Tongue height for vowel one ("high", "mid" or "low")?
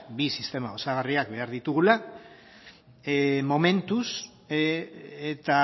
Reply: high